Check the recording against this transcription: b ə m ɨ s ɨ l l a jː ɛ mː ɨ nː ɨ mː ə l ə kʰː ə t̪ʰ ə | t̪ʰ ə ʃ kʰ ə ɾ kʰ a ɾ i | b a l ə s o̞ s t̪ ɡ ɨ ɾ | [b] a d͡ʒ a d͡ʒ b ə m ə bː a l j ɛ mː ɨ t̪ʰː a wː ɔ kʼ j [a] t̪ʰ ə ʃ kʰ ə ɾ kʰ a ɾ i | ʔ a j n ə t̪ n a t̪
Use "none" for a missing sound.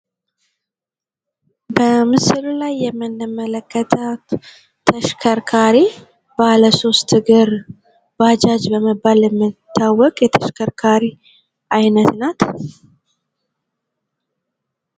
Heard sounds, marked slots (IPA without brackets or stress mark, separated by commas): b, ɛ